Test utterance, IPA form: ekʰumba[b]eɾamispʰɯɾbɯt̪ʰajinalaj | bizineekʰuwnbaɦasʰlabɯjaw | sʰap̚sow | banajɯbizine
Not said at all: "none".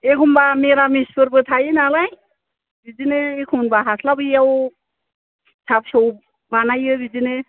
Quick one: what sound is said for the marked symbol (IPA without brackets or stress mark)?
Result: m